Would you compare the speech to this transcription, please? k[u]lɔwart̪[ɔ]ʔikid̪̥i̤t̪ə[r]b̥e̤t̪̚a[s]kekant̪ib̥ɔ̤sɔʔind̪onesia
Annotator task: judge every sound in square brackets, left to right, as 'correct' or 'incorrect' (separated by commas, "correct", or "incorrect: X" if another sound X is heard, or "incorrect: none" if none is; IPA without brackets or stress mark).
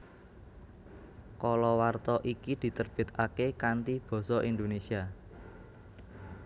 incorrect: ɔ, correct, correct, incorrect: none